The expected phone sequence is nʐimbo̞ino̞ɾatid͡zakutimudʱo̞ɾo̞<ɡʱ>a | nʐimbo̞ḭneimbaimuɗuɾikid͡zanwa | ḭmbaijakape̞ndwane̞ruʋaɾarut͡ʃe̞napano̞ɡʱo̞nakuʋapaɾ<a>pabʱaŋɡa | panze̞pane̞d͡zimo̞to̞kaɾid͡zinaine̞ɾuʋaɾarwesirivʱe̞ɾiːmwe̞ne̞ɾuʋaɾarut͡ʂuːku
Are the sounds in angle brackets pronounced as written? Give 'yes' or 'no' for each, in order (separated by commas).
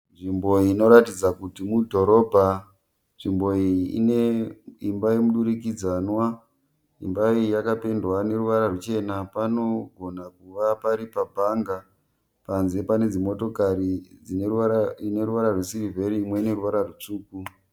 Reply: no, no